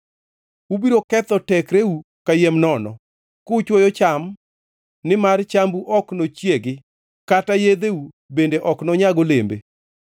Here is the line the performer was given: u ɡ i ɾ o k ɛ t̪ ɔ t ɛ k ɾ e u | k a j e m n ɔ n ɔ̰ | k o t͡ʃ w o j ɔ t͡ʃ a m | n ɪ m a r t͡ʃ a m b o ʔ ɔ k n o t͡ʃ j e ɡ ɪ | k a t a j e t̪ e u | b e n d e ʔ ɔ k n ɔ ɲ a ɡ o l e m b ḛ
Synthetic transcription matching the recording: u b i ɾ o k ɛ t̪ ɔ t ɛ k ɾ e u | k a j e m n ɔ n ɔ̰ | k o t͡ʃ w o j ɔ t͡ʃ a m | n ɪ m a r t͡ʃ a m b u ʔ ɔ k n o t͡ʃ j e ɡ ɪ | k a t a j e d̪ e u | b e n d e ʔ ɔ k n ɔ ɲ a ɡ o l e m b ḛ